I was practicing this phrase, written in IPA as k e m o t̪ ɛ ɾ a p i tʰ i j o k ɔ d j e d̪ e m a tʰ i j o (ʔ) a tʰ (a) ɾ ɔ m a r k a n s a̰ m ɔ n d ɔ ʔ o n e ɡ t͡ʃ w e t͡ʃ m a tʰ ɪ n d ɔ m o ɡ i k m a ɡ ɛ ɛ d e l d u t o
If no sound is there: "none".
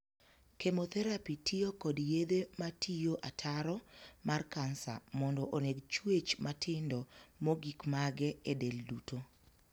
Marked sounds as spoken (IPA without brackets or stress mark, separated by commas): ʔ, a